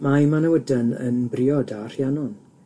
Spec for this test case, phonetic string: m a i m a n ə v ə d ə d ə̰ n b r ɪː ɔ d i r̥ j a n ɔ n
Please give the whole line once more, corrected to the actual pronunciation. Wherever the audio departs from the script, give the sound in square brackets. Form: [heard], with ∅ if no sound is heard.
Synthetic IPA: m a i m a n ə [w] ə d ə [n] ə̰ n b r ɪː ɔ d [a] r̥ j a n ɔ n